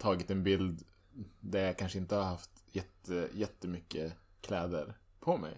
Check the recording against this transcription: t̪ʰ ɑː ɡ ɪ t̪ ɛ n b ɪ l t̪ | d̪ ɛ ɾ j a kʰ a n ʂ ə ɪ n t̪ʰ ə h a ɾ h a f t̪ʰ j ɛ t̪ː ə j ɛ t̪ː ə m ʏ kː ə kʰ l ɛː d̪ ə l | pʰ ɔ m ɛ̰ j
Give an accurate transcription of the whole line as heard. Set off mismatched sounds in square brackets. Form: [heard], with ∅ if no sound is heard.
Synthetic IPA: t̪ʰ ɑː ɡ ɪ t̪ ɛ n b ɪ l [d̪] | d̪ [æ] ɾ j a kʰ a n ʂ ə ɪ n [t̪] ə h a ɾ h a f [t̪] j ɛ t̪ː ə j ɛ t̪ː ə m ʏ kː ə kʰ l ɛː d̪ ə [ɾ] | pʰ ɔ m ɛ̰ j